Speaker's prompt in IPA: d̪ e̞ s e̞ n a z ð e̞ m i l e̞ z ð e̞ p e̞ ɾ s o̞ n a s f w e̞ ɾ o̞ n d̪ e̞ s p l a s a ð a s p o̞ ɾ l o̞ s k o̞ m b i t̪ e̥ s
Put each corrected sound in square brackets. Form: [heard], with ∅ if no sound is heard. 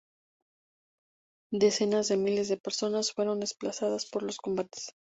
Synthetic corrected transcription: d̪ e̞ s e̞ n a z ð e̞ m i l e̞ z ð e̞ p e̞ ɾ s o̞ n a s f w e̞ ɾ o̞ n d̪ e̞ s p l a s a ð a s p o̞ ɾ l o̞ s k o̞ m b [a] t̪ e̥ s